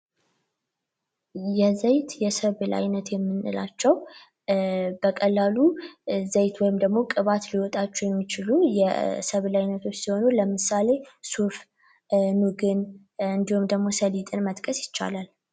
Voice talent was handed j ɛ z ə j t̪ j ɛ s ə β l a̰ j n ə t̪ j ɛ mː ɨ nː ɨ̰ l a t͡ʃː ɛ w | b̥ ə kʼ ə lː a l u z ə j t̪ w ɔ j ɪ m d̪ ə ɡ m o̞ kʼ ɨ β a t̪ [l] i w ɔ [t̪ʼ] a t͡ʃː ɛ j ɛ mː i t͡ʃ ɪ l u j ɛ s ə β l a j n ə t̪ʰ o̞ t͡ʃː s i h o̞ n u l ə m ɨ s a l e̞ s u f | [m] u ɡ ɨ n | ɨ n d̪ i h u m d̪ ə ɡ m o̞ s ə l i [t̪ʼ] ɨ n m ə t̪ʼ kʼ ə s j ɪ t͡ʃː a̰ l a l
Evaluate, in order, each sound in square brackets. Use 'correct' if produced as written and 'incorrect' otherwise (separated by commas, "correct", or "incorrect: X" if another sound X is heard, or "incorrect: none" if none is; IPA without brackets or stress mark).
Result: correct, correct, incorrect: n, correct